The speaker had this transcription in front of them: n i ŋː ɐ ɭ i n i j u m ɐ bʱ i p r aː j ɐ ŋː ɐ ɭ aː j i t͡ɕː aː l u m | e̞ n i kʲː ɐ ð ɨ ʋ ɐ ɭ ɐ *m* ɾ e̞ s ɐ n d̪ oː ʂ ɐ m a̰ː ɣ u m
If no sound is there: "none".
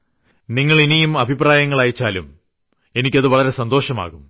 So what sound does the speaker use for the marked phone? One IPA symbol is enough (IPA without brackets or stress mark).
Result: none